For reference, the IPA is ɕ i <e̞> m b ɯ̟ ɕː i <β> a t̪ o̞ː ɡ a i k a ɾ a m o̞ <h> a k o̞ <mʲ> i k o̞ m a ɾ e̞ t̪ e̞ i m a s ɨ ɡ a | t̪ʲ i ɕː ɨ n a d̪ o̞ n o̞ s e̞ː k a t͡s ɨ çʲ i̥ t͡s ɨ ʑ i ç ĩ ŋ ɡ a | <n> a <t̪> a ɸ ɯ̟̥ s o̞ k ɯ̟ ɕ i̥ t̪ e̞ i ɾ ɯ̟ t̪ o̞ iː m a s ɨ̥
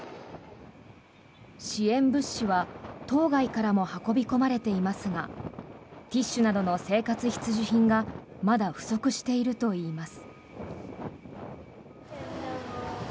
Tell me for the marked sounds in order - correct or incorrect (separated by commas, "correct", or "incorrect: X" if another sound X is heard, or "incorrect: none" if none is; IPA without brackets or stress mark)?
incorrect: ẽ̞, correct, correct, incorrect: bʲ, incorrect: m, incorrect: d̪